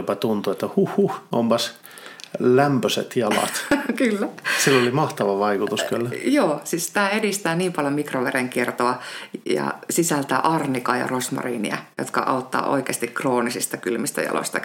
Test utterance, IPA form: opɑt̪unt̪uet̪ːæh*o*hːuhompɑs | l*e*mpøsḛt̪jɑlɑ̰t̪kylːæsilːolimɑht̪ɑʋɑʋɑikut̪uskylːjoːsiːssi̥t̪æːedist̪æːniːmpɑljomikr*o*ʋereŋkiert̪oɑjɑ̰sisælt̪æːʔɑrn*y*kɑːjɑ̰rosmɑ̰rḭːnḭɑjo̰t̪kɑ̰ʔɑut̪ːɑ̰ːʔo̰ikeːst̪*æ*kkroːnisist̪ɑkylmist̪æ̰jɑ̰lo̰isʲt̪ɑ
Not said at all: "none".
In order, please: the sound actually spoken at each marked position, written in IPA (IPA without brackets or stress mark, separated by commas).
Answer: u, æ, o, i, i